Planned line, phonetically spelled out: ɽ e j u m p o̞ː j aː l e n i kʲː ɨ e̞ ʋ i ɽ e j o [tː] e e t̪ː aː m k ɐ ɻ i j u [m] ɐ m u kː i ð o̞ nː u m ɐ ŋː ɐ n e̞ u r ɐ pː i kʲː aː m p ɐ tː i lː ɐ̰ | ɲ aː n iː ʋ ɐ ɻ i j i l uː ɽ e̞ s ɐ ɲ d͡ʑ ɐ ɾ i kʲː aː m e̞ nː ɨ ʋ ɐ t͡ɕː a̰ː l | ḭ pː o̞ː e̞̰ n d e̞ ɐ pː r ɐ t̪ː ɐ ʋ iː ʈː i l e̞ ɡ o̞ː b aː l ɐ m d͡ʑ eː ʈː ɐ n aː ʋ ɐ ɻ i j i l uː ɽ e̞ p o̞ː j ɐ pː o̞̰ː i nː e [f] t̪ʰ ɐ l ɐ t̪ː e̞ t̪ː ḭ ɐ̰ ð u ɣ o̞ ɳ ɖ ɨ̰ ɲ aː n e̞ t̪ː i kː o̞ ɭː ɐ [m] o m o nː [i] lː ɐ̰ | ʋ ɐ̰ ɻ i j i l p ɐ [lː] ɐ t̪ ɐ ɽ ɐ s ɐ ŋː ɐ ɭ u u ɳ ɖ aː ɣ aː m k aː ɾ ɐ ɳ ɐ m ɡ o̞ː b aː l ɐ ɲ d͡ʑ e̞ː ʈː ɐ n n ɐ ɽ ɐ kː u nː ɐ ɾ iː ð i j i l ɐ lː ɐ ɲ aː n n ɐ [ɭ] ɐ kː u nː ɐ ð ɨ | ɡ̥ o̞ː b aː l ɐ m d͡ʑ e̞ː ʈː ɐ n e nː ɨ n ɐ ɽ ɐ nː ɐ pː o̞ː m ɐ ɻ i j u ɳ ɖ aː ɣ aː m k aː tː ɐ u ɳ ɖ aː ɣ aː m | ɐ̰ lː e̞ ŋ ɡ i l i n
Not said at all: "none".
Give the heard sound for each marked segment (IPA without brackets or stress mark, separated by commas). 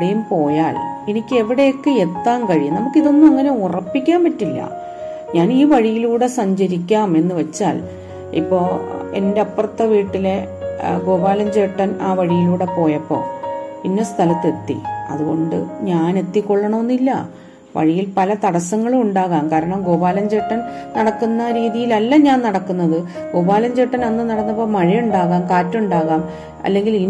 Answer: kː, n, s, ɳ, i, l, ɽ